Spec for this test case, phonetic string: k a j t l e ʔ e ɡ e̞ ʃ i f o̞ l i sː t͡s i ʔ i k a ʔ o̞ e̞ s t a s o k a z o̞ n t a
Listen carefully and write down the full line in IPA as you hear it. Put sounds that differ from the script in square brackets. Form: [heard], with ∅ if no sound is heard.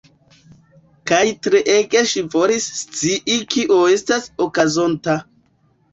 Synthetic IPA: k a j t [ɾ] e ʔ e ɡ e̞ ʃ i [v] o̞ l i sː t͡s i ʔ i k [i] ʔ o̞ e̞ s t a s o k a z o̞ n t a